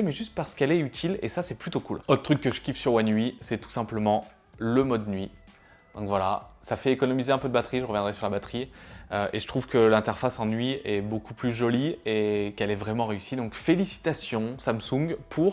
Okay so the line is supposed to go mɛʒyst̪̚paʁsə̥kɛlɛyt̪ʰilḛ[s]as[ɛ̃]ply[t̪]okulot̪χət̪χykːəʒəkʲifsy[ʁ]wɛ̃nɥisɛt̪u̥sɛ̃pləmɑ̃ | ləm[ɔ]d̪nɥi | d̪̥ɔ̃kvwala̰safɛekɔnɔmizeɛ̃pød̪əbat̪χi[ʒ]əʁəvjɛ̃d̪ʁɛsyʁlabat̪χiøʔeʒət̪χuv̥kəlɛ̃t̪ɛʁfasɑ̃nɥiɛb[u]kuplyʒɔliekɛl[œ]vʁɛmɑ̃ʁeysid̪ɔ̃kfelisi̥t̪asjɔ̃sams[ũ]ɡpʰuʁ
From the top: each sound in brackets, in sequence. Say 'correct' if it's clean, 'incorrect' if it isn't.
correct, incorrect: ɛ, correct, correct, correct, correct, incorrect: o, incorrect: ɛ, correct

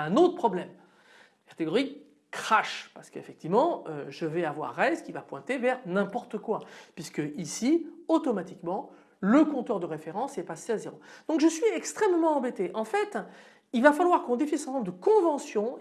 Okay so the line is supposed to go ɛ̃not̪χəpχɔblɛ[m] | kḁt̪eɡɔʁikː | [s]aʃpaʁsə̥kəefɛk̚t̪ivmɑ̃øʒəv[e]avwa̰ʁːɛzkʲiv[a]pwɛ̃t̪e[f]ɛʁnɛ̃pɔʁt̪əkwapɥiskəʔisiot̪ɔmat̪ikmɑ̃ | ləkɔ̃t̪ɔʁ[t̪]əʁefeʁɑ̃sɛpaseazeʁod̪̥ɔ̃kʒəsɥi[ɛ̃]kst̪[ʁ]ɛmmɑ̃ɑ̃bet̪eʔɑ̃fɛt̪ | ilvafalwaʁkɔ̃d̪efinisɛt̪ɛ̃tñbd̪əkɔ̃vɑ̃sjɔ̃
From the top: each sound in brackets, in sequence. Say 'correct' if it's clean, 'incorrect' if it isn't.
correct, incorrect: χ, incorrect: ɛ, correct, incorrect: v, incorrect: d̪, incorrect: ɛ, incorrect: χ

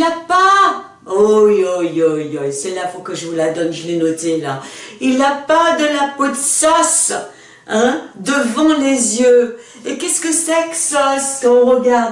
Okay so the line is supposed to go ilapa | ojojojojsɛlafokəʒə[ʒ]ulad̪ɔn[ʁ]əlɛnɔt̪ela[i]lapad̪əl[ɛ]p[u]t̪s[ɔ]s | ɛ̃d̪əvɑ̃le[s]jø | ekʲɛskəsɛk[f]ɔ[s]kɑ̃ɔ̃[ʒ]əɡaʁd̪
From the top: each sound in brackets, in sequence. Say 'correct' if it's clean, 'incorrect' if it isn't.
incorrect: v, incorrect: ʒ, correct, incorrect: a, incorrect: o, correct, incorrect: z, incorrect: s, correct, incorrect: ʁ

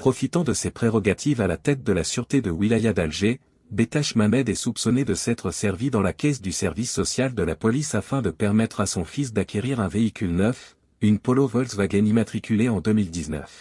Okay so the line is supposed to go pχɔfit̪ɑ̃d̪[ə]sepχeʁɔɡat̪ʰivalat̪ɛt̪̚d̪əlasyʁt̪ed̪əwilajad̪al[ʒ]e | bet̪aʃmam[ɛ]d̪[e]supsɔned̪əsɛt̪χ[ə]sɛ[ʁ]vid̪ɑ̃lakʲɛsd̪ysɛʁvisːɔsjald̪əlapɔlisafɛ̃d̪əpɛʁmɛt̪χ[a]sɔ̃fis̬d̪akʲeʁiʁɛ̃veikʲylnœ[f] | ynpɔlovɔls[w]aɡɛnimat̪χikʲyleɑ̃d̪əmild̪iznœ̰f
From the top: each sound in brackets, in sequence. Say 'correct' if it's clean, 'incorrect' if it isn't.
correct, correct, correct, incorrect: ɛ, correct, correct, correct, correct, incorrect: v

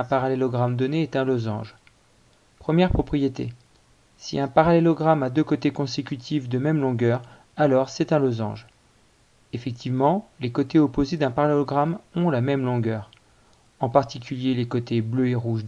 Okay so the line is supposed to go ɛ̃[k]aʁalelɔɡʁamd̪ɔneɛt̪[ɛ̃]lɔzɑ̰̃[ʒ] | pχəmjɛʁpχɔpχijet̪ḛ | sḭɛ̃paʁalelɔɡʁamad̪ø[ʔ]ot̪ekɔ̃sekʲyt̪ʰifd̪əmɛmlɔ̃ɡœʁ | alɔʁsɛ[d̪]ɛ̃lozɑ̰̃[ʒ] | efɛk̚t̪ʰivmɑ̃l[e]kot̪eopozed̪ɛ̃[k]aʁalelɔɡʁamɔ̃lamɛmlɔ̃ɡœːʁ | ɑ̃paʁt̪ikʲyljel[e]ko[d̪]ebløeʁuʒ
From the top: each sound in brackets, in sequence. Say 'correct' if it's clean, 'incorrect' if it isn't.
incorrect: p, correct, correct, incorrect: k, incorrect: t̪, correct, correct, incorrect: p, correct, incorrect: t̪

